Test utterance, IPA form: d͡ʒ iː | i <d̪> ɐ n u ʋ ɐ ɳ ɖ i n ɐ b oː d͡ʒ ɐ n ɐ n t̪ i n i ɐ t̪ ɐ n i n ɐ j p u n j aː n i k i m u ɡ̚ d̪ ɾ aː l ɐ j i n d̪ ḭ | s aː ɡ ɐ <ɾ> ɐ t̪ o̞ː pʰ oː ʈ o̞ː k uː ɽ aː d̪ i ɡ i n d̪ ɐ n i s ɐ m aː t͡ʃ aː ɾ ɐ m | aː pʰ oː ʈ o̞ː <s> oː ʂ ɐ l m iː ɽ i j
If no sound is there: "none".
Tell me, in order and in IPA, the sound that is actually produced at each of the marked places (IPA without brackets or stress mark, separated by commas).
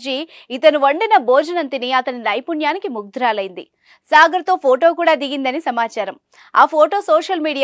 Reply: t̪, ɾ, s